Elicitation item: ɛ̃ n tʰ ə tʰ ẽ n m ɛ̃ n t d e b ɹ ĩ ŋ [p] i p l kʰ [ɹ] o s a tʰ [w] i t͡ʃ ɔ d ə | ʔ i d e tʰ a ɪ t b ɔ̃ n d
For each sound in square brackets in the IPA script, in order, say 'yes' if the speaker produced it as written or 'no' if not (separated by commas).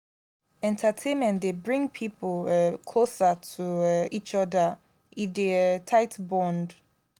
no, no, no